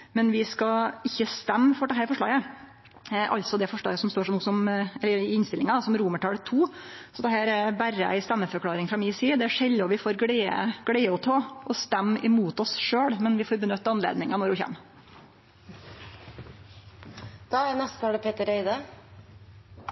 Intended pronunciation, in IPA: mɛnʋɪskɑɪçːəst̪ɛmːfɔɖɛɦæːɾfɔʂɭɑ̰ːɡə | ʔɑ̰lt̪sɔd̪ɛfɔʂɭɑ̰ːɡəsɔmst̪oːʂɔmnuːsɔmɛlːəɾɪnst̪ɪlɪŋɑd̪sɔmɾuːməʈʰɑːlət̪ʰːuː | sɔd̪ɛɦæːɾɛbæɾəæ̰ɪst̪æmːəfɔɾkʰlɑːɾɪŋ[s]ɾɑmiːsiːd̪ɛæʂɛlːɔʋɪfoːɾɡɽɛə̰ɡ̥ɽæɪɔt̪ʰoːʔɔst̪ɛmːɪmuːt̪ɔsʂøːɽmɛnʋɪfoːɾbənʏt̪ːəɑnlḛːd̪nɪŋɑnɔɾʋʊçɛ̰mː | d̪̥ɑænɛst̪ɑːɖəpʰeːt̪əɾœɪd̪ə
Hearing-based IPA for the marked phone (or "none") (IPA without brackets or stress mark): f